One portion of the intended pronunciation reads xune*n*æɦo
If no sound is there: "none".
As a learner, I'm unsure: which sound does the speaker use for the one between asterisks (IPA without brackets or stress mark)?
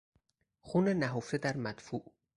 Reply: n